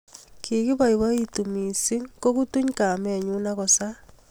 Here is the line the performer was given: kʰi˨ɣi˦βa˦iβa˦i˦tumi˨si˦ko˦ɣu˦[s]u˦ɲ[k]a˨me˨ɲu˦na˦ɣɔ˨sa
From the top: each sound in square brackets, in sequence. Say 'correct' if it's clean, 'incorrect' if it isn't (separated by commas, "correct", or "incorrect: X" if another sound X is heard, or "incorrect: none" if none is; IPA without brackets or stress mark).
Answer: incorrect: t, correct